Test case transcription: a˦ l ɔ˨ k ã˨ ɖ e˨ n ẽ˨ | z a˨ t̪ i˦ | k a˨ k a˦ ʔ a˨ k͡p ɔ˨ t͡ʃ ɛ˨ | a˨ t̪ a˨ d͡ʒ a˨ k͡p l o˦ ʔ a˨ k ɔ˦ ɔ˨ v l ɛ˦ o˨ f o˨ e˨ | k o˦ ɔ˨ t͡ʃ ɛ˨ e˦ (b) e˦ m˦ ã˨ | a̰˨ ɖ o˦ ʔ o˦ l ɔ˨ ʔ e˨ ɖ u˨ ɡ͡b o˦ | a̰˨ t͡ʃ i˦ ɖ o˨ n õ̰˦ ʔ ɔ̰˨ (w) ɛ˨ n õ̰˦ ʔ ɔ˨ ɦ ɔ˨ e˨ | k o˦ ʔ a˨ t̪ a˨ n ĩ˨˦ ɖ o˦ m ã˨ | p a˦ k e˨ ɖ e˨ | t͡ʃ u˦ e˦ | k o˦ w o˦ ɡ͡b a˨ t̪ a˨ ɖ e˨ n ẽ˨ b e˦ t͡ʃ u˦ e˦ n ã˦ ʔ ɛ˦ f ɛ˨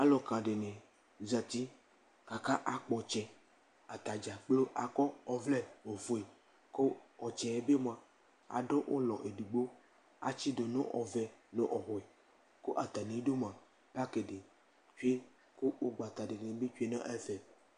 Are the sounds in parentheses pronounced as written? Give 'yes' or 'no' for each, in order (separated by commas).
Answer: yes, no